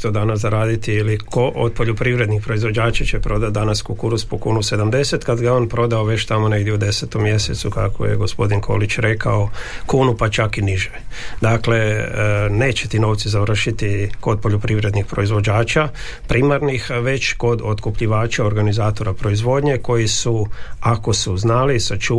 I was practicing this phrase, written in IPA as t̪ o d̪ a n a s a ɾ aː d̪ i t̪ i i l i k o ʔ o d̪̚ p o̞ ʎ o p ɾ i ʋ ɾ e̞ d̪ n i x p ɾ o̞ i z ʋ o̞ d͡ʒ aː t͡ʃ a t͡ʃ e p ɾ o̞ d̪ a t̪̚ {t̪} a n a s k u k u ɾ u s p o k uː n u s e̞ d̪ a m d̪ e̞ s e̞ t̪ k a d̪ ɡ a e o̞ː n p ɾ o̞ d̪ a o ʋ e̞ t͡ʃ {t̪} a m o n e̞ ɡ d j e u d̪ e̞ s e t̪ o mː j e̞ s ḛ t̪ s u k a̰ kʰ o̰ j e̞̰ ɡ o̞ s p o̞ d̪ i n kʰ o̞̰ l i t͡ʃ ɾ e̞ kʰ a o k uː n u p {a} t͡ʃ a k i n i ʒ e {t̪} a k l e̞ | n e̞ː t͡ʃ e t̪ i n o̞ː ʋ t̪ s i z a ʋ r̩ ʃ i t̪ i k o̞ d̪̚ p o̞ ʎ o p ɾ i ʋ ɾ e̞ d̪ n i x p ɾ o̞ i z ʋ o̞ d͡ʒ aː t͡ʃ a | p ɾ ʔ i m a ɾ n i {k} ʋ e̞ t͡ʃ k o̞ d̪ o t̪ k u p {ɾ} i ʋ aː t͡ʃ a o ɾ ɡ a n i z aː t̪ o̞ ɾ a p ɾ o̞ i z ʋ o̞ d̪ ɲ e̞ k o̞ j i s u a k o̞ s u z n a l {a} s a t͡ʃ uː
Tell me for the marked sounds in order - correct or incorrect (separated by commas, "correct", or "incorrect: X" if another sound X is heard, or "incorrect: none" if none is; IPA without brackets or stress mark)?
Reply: incorrect: d̪, correct, correct, incorrect: d̪, incorrect: x, incorrect: ʎ, incorrect: i